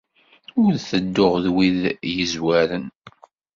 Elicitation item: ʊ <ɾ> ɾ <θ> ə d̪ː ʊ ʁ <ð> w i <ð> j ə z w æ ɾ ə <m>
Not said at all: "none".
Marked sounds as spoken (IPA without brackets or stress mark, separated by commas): ɾ, θ, ð, ð, n